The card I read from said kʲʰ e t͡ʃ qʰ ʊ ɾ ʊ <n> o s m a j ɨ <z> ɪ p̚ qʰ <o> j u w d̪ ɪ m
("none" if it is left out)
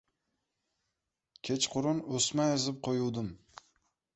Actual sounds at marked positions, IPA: n, z, o

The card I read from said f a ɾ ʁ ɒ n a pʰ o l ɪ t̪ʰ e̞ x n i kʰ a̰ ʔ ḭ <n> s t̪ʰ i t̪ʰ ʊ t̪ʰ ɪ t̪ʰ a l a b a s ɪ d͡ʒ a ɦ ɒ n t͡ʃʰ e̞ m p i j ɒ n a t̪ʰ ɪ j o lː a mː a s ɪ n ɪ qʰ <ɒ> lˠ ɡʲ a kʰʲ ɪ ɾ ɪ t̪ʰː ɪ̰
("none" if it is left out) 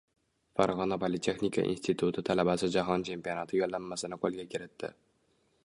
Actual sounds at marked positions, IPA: n, o

